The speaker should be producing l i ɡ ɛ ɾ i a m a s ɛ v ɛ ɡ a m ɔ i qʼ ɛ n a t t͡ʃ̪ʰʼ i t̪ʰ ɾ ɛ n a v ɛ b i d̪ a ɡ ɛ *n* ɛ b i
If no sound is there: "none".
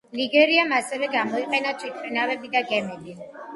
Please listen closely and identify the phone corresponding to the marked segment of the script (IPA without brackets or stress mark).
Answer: m